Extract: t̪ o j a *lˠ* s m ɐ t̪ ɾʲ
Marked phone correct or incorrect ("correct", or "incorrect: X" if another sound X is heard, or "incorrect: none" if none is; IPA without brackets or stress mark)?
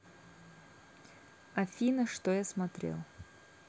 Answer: incorrect: none